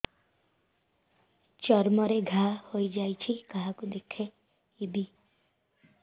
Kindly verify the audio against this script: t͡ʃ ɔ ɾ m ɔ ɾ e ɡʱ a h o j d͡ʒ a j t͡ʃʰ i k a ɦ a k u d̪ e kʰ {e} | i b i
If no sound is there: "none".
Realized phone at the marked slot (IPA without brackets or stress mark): e